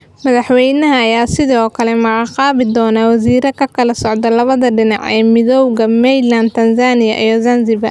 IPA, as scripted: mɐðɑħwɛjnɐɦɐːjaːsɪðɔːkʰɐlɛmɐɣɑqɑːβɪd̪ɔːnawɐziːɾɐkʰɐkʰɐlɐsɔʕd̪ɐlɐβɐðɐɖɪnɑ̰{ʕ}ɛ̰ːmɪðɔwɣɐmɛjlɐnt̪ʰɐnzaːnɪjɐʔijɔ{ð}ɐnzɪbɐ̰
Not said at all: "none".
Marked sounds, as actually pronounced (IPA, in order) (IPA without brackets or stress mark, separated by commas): ʕ, z